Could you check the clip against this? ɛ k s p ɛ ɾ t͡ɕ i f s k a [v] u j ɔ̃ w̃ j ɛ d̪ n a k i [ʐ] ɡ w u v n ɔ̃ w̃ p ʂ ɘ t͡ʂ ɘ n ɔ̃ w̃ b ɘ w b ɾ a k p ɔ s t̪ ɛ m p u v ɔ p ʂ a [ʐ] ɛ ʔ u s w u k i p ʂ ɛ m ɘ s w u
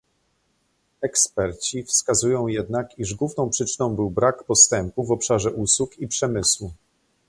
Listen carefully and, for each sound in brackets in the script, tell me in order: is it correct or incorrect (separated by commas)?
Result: incorrect, correct, correct